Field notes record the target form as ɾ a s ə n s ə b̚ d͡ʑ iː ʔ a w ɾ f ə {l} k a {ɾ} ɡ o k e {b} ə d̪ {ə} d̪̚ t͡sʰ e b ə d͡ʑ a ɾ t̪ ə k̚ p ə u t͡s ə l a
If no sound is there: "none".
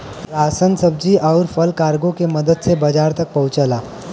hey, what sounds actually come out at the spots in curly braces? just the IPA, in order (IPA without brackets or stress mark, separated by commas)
l, ɾ, m, ə